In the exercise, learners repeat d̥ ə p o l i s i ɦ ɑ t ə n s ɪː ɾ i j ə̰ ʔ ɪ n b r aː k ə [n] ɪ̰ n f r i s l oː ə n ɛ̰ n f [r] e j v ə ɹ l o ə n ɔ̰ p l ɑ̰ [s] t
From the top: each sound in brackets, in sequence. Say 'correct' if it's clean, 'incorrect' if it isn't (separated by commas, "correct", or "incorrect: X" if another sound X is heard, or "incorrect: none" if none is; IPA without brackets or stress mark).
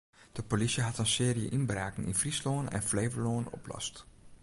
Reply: correct, incorrect: l, correct